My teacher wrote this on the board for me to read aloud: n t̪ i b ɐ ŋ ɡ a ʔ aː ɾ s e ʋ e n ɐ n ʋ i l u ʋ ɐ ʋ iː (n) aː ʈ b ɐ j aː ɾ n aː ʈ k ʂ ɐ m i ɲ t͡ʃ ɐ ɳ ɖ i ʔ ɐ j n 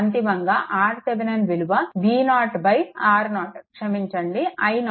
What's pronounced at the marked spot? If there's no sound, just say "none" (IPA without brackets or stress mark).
n